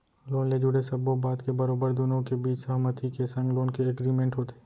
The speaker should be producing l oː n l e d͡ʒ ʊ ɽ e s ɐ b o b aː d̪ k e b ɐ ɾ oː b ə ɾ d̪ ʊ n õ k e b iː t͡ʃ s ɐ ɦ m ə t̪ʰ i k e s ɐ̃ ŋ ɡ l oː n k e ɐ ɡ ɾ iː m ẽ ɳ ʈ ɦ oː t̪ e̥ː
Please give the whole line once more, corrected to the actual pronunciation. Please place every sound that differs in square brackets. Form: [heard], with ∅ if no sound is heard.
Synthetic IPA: l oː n l e d͡ʒ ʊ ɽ e s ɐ b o b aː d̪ k e b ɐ ɾ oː b ə ɾ d̪ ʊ n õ k e b iː t͡ʃ s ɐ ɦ m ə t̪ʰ i k e s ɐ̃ ŋ ɡ l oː n k e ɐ ɡ ɾ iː m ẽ ɳ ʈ ɦ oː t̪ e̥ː